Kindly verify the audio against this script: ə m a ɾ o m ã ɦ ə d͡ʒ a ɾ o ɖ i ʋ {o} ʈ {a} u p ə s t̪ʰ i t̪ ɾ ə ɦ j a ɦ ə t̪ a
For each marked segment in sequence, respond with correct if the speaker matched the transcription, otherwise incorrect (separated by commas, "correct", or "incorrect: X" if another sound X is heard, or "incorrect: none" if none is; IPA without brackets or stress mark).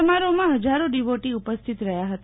correct, incorrect: i